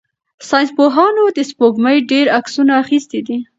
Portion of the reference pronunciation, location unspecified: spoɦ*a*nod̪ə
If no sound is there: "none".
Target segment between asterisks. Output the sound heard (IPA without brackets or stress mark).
ɑ